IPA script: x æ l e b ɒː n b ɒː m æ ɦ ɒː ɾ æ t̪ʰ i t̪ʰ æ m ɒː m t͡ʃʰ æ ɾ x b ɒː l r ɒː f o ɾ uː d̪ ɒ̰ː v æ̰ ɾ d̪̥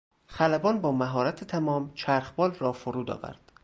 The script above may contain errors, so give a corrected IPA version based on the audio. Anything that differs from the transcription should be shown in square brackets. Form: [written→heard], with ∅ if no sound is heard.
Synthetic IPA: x æ l [e→æ] b ɒː n b ɒː m æ ɦ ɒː ɾ æ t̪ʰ [i→e] t̪ʰ æ m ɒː m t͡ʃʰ æ ɾ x b ɒː l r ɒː f o ɾ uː d̪ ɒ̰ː v æ̰ ɾ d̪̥